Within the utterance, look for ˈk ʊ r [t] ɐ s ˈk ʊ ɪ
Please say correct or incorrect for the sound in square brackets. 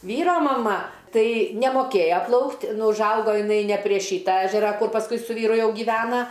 incorrect